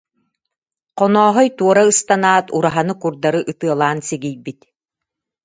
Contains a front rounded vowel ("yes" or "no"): no